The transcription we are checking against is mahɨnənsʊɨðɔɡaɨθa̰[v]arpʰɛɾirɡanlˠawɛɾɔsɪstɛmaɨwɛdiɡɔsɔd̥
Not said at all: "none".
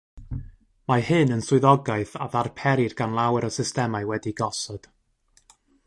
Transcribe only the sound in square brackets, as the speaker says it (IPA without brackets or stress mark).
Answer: ð